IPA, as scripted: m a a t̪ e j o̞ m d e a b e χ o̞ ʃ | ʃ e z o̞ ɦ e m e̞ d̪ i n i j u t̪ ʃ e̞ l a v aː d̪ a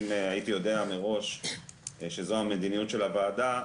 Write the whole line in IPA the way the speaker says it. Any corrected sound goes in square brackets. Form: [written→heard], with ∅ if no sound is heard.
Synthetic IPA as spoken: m a [a→i] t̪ [e→i] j o̞ [m→∅] d e a [b→m] e [χ→ʁ] o̞ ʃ | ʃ e z o̞ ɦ [e→a] m e̞ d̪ i n i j u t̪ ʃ e̞ l a v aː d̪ a